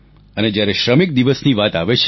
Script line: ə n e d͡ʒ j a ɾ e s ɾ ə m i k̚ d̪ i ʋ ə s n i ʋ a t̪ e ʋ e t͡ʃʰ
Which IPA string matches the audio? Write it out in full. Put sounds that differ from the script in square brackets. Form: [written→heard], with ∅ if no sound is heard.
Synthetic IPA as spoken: ə n e d͡ʒ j a ɾ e [s→ʃ] ɾ ə m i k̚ d̪ i ʋ ə s n i ʋ a t̪ [e→a] ʋ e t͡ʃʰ